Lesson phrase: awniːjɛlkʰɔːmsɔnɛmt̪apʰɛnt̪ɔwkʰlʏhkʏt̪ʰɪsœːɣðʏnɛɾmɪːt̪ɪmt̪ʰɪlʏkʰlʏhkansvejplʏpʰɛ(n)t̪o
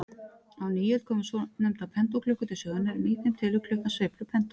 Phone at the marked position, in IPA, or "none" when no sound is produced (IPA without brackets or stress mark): n